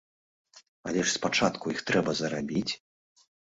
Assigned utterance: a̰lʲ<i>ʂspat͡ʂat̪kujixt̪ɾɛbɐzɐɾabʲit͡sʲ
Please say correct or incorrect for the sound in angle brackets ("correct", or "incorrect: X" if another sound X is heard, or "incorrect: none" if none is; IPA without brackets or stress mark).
incorrect: ɛ